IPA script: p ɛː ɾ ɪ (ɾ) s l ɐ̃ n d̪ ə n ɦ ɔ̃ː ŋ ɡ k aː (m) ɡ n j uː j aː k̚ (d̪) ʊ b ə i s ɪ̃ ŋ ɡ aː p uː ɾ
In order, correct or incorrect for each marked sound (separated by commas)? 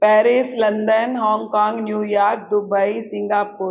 incorrect, incorrect, correct